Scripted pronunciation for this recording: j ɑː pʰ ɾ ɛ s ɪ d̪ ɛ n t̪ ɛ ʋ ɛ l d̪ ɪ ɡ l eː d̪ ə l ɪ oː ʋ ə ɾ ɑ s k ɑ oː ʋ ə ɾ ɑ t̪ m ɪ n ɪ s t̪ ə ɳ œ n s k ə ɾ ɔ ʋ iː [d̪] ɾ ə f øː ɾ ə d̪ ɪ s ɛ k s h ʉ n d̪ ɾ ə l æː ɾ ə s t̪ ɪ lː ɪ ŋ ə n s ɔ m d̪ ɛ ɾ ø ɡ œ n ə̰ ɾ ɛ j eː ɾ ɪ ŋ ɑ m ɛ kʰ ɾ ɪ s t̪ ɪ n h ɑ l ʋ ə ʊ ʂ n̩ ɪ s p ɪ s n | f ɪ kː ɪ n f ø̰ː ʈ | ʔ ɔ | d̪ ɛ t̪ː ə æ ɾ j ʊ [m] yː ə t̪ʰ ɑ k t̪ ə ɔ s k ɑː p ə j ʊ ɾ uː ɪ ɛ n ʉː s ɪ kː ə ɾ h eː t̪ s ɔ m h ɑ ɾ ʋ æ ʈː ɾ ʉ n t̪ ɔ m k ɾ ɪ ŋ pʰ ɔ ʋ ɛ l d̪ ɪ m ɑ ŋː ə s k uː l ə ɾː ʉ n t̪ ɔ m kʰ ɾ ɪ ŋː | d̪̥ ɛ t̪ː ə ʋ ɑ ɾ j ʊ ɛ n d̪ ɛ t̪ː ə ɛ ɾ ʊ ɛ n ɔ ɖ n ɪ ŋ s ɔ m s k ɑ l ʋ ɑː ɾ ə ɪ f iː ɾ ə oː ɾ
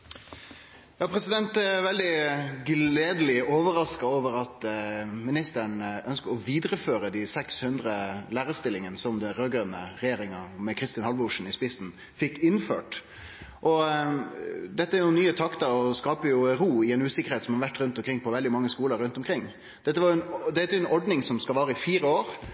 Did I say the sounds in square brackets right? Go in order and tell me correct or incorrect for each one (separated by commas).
correct, incorrect